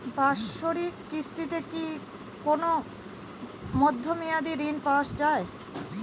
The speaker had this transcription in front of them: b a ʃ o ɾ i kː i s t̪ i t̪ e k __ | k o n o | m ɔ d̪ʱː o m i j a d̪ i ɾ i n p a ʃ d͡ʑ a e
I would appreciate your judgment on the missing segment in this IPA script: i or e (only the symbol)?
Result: i